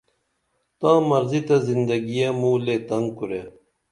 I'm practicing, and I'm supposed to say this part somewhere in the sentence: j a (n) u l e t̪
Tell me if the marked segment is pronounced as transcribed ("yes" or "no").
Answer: no